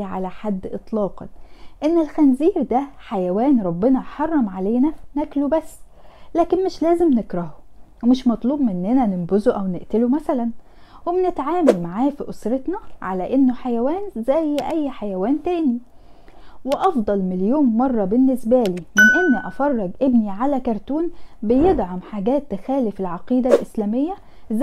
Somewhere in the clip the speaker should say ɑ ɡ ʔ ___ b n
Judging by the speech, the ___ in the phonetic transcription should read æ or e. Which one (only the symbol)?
e